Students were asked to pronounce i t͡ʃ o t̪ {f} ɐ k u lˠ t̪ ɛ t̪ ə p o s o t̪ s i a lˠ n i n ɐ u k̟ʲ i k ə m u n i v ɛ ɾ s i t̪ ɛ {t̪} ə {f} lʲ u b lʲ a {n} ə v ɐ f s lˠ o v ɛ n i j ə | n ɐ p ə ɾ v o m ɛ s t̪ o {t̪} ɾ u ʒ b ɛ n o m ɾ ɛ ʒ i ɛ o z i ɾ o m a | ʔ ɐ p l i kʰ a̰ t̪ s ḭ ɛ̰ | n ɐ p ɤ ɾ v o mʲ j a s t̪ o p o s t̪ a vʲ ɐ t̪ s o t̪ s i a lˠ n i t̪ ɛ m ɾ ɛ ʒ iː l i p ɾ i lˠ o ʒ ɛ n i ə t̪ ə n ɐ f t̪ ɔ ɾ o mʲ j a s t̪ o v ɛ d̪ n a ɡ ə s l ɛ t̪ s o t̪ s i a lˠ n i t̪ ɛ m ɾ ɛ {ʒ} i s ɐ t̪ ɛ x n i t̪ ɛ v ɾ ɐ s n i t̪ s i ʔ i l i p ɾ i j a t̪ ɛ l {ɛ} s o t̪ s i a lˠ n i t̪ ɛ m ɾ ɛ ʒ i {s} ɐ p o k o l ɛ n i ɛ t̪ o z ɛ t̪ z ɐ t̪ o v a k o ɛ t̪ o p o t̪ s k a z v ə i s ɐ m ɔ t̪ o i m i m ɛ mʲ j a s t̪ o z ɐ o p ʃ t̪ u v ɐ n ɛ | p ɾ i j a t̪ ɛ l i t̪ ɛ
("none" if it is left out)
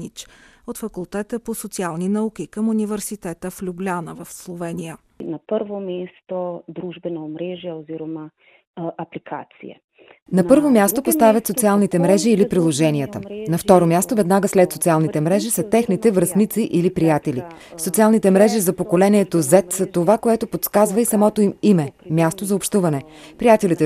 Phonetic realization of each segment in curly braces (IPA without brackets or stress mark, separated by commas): f, t̪, f, n, d̪, ʒ, i, z